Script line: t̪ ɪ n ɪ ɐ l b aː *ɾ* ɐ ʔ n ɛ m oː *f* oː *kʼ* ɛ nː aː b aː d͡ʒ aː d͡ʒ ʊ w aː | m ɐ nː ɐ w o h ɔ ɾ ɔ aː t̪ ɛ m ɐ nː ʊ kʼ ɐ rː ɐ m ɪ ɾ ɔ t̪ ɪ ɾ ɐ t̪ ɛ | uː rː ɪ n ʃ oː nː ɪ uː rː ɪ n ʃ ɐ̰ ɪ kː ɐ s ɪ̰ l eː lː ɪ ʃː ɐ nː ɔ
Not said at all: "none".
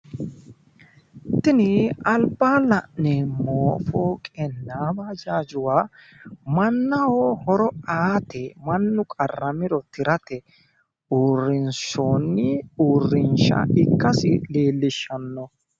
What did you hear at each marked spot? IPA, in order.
l, f, kʼ

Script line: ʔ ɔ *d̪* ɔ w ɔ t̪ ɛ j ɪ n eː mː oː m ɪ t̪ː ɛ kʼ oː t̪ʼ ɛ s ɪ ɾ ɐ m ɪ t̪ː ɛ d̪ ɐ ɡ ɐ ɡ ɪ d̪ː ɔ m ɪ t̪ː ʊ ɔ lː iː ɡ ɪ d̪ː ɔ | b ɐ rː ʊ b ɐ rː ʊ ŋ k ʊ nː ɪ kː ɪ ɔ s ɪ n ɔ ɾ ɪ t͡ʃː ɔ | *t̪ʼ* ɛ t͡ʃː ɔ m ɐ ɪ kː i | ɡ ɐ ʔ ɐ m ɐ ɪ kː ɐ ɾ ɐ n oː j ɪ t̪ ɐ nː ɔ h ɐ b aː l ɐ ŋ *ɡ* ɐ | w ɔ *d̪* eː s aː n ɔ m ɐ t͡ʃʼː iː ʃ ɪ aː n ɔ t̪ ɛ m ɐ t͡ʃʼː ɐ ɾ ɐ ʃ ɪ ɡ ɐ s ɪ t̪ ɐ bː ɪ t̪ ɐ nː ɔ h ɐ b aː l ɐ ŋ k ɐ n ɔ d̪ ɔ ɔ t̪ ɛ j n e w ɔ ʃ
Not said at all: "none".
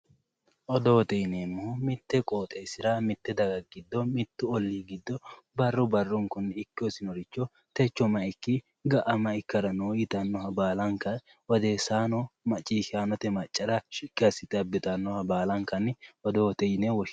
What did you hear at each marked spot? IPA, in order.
d̪, t̪, k, d̪

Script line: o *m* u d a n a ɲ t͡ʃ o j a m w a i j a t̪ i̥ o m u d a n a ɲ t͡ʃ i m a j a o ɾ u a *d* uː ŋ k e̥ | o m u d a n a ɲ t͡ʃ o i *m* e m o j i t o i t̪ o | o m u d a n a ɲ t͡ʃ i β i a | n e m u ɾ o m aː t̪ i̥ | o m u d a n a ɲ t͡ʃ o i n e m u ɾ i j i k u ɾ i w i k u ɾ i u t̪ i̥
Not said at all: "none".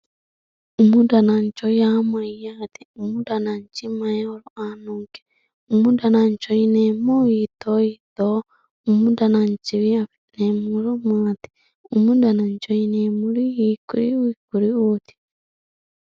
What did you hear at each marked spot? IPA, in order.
m, n, n

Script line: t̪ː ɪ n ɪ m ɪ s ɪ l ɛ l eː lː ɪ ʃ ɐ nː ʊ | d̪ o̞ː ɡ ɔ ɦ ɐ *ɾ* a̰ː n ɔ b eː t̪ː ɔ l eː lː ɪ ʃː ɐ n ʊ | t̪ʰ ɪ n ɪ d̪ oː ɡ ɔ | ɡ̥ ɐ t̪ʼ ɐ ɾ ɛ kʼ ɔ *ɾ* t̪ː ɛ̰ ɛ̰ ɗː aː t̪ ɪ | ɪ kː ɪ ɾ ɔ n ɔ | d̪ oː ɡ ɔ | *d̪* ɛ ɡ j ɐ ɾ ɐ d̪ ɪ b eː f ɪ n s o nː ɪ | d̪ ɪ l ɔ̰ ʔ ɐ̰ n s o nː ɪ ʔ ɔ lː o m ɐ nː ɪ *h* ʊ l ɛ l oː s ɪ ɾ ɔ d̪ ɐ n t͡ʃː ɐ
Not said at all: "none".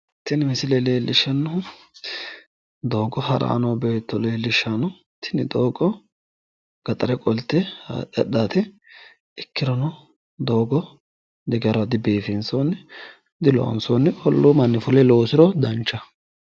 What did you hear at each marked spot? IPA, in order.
ɾ, l, d̪, f

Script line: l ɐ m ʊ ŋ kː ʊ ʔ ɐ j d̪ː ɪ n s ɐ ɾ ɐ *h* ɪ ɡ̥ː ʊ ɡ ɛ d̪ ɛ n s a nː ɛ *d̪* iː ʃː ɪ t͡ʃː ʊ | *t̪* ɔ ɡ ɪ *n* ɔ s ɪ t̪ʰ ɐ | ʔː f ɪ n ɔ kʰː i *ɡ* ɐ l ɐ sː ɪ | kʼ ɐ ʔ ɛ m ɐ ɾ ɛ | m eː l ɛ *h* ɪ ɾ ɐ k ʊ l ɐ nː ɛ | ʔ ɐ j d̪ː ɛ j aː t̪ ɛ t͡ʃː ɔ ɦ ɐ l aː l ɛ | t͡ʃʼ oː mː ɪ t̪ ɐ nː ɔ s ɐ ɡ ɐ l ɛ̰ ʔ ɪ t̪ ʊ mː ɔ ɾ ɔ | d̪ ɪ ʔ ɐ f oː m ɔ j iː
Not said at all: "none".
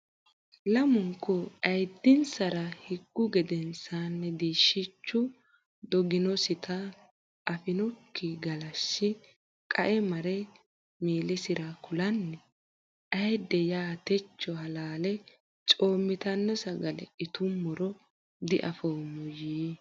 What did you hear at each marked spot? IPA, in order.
h, d̪, d̪, n, ɡ, s

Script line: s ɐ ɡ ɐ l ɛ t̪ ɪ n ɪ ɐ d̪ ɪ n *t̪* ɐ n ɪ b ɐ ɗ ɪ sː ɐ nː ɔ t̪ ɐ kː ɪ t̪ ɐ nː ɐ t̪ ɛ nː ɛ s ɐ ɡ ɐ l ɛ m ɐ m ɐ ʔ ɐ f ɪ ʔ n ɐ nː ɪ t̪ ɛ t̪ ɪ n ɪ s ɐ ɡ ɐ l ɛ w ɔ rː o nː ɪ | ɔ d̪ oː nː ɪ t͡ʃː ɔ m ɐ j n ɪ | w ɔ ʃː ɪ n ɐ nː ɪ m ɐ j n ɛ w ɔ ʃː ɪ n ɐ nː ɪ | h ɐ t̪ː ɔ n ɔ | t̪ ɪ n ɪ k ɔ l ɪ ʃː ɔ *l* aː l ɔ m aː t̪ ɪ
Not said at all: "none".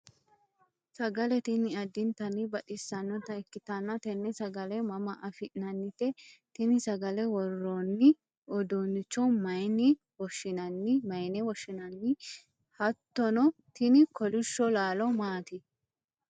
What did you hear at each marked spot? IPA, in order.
t̪, l

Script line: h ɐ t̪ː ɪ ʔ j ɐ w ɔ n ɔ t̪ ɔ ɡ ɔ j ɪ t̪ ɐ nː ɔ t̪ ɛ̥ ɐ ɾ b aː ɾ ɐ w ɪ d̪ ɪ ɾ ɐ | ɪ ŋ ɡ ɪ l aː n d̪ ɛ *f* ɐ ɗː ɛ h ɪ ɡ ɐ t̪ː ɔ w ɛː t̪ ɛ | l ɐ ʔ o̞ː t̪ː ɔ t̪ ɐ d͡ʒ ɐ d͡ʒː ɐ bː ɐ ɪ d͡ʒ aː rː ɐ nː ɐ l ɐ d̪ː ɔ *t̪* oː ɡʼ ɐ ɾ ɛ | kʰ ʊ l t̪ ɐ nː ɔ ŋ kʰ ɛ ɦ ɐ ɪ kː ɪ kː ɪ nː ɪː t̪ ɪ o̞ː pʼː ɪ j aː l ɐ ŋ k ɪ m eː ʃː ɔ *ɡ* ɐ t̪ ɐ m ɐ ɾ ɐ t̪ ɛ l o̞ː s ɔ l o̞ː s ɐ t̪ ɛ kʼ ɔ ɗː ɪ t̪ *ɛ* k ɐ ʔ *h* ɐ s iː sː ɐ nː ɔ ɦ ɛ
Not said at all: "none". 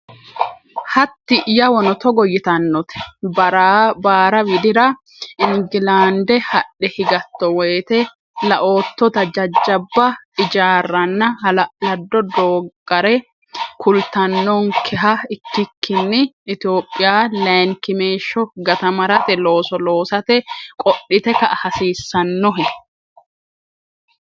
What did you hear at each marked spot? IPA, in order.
h, d̪, ɡ, ɛ, h

